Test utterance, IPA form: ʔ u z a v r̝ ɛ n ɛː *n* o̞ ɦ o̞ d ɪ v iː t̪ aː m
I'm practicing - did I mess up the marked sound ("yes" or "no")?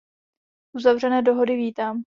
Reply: yes